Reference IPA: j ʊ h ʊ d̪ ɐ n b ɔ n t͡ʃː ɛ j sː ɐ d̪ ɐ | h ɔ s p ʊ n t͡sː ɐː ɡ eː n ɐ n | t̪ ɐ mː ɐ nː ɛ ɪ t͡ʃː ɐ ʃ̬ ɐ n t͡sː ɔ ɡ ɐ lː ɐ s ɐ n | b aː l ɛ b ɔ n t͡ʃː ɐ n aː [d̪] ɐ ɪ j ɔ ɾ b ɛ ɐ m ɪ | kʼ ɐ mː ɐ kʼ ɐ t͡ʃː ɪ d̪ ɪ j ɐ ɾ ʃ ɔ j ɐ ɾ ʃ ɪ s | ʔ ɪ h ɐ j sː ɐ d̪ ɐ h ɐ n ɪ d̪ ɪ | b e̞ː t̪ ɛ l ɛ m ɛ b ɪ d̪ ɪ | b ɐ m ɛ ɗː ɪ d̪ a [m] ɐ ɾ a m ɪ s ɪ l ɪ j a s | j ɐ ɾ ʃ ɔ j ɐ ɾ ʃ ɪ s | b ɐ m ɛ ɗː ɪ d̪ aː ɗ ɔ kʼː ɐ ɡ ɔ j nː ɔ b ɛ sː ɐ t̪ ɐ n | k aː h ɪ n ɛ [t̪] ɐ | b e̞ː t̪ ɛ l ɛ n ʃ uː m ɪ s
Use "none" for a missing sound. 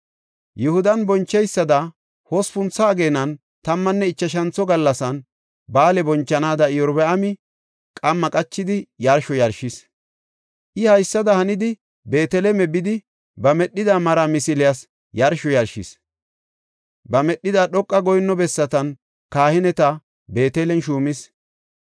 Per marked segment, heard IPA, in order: d̪, m, t̪

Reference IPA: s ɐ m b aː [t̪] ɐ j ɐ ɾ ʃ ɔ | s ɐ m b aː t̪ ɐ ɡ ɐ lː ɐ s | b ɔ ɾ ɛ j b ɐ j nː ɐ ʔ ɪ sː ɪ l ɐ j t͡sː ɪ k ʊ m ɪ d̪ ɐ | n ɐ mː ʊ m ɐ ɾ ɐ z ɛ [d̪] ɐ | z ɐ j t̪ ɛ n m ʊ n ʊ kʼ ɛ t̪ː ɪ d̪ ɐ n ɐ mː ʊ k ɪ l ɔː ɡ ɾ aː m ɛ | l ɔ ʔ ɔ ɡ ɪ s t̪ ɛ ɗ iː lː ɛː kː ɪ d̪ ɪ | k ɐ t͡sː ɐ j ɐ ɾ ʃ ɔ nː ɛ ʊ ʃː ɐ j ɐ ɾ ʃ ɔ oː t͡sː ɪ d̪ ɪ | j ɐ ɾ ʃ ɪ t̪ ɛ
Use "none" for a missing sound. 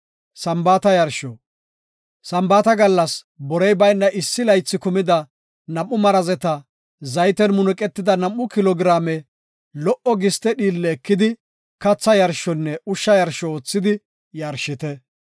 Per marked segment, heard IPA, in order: t̪, t̪

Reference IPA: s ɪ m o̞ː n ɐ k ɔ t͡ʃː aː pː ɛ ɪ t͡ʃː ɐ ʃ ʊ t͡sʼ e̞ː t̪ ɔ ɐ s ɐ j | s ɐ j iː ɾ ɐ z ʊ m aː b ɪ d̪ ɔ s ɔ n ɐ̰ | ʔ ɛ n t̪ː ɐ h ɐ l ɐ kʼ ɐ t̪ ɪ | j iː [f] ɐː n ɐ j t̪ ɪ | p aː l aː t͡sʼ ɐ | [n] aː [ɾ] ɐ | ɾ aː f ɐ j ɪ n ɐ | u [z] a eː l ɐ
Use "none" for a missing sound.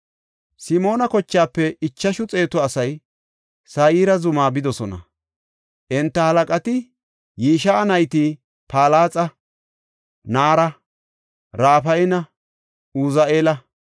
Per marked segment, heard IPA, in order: ʃ, n, ɾ, z

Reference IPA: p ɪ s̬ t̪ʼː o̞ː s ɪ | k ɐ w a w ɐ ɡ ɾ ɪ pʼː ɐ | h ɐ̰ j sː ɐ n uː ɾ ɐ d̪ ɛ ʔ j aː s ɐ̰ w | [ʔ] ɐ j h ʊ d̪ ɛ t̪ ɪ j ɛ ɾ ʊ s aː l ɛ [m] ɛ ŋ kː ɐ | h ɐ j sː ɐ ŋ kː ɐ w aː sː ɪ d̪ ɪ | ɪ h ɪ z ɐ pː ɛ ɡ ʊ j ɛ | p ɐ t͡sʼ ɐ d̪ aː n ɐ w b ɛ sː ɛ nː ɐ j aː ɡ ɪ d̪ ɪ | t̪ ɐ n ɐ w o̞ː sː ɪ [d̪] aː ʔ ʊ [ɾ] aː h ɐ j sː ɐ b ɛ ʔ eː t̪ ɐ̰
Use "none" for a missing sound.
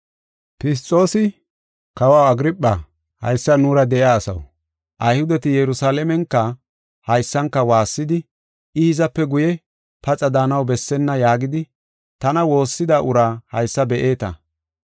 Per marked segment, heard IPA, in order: ʔ, m, d̪, ɾ

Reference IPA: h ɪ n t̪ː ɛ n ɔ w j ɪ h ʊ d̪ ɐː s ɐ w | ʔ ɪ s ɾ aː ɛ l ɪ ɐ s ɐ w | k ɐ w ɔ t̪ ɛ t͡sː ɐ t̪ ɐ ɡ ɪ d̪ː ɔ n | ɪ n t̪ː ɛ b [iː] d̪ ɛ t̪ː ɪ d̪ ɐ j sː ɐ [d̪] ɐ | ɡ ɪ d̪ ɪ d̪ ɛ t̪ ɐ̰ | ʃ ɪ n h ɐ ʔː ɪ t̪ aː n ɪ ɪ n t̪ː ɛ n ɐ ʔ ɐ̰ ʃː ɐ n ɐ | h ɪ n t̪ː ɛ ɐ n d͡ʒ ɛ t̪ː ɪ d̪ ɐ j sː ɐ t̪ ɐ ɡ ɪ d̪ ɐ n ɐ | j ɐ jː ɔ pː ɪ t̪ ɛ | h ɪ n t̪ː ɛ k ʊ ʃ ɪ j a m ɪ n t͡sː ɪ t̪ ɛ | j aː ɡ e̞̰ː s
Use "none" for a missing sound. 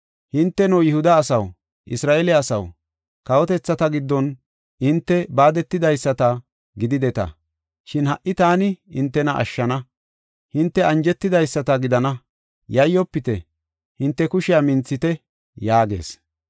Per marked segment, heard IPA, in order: aː, t̪

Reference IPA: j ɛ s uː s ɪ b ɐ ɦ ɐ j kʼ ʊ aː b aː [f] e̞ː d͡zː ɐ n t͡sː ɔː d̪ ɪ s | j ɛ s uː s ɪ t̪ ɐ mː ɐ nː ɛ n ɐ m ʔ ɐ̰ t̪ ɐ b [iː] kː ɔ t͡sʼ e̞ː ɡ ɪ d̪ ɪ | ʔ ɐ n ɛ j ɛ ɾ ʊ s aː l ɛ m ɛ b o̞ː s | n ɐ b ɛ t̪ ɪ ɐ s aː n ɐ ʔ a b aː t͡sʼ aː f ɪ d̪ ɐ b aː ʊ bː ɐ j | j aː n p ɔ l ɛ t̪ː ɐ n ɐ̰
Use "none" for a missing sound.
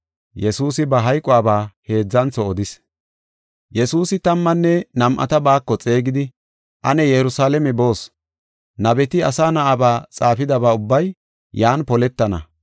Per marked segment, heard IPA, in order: h, aː

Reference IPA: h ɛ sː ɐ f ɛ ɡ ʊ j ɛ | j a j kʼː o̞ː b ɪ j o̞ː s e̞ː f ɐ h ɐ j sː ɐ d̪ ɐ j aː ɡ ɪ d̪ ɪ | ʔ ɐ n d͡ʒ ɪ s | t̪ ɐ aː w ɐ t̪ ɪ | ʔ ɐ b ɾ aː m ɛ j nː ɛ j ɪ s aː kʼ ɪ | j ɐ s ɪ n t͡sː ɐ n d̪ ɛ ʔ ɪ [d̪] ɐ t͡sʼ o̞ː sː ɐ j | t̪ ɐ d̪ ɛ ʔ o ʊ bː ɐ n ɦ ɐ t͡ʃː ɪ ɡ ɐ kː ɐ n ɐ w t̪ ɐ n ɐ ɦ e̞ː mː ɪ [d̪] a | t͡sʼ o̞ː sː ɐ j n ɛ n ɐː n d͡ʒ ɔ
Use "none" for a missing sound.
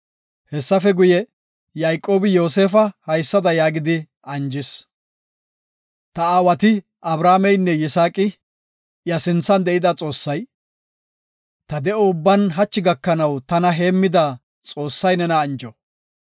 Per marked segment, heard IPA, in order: d̪, d̪

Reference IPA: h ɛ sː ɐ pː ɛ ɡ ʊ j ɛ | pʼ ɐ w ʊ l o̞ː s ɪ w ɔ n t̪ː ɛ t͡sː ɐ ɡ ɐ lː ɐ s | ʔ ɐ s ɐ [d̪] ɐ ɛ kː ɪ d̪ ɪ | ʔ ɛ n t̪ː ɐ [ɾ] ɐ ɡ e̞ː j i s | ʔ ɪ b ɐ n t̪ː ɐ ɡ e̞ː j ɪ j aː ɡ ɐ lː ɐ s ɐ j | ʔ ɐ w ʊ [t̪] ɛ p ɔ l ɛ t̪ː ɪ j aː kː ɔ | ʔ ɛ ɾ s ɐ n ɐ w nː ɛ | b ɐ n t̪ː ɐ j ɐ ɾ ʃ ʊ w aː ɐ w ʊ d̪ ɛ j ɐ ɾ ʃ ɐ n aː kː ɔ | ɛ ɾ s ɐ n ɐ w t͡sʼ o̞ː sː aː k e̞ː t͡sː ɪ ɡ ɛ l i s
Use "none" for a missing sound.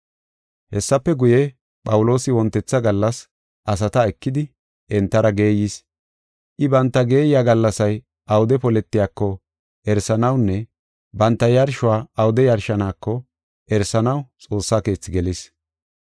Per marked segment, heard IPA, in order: t̪, ɾ, d̪

